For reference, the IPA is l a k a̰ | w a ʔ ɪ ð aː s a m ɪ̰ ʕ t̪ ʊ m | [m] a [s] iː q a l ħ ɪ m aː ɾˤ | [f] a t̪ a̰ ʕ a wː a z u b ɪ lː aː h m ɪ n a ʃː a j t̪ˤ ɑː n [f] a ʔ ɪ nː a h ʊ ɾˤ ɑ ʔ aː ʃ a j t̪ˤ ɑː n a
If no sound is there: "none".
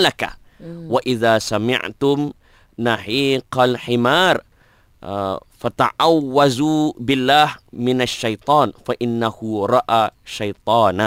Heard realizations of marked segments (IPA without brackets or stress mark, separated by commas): n, ħ, f, f